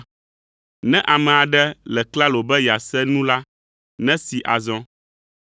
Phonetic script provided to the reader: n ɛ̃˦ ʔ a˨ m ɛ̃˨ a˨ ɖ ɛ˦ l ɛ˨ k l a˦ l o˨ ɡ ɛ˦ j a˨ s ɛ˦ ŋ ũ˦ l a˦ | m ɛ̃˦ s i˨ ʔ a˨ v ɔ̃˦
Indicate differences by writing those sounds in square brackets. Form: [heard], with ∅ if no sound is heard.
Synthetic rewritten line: n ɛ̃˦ ʔ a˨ m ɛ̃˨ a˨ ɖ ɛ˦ l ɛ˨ k l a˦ l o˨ [b] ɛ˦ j a˨ s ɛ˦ [n] ũ˦ l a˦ | [n] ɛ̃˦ s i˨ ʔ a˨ [z] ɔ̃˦